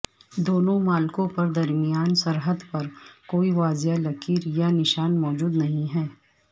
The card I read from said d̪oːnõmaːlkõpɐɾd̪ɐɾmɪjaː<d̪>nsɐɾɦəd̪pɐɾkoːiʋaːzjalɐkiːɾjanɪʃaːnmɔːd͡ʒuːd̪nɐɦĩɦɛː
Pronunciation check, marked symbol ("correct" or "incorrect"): incorrect